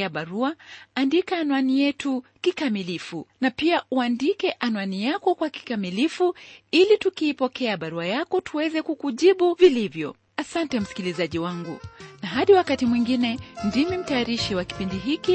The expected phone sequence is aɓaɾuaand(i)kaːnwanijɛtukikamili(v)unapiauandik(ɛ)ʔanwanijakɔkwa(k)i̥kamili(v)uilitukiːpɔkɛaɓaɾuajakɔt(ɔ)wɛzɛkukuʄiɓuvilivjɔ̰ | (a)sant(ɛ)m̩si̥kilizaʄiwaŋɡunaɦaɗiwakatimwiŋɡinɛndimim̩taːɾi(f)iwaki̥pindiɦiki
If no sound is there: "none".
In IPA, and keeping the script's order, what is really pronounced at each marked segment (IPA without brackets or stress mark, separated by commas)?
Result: i, f, ɛ, k, f, u, a, ɛ, ʃ